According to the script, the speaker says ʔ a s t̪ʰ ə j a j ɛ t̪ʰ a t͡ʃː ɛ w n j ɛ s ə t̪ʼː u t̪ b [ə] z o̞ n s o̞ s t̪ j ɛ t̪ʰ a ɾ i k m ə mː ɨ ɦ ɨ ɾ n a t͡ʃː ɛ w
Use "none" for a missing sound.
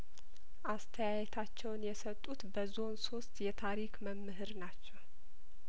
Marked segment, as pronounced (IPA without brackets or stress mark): ə